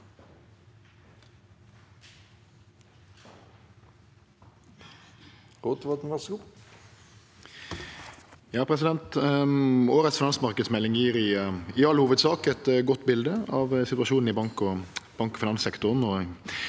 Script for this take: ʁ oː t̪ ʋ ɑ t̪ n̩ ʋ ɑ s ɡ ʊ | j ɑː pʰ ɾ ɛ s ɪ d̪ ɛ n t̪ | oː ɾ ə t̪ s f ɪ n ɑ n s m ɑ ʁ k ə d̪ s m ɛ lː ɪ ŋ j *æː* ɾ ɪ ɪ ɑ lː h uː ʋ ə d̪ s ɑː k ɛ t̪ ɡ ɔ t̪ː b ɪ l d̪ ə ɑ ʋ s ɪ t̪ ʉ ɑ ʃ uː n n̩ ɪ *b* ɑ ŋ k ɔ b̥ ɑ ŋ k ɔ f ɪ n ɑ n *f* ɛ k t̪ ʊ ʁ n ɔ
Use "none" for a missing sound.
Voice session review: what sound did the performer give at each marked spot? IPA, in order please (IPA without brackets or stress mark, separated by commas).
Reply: iː, b, s